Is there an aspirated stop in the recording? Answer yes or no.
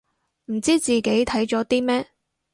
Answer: yes